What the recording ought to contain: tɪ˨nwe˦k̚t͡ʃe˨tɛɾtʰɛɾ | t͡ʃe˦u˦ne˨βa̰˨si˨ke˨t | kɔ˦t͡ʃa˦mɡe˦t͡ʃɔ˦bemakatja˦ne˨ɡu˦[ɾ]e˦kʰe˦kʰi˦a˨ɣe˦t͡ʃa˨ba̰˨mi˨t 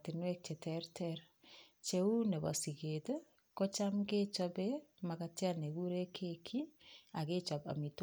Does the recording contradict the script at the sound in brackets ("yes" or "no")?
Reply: no